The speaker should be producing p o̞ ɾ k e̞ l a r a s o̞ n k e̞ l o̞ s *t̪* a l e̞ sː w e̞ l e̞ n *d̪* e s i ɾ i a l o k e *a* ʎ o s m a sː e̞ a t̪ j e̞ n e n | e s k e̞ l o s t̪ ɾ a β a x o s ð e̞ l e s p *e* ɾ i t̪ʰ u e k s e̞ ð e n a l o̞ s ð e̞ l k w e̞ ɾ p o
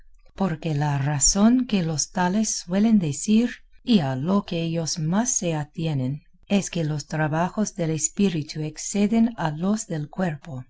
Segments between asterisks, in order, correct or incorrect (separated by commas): correct, correct, incorrect, incorrect